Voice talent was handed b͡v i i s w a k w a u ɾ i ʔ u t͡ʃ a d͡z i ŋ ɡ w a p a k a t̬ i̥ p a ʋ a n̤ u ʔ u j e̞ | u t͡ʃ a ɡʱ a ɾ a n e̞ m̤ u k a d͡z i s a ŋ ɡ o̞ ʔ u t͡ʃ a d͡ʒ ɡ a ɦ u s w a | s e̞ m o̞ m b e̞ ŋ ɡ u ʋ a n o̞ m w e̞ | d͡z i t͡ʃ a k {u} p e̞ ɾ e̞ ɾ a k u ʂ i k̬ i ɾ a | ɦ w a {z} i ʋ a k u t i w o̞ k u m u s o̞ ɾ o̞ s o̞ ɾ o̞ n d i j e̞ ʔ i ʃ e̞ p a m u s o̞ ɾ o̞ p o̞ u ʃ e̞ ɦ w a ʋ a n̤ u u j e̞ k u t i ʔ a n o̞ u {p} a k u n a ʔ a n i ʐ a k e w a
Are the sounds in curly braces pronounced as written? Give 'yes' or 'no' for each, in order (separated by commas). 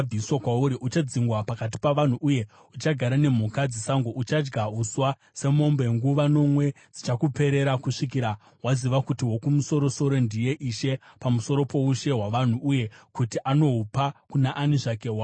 yes, yes, yes